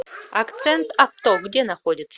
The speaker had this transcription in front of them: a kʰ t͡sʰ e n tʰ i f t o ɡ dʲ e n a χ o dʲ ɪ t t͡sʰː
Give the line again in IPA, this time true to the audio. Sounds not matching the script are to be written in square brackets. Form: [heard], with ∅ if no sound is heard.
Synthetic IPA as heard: a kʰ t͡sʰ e n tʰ [a] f t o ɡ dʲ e n a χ o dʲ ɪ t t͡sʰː